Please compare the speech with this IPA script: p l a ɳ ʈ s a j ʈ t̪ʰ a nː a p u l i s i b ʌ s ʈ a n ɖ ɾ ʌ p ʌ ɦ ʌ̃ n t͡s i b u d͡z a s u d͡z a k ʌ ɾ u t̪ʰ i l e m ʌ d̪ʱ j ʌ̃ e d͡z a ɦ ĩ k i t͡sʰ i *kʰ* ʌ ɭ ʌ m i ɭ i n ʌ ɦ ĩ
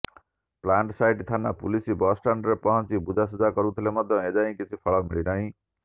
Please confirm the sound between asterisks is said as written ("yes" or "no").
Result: no